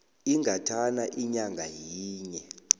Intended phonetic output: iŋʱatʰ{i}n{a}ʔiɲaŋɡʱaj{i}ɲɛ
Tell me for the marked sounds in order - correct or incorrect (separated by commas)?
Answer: incorrect, correct, incorrect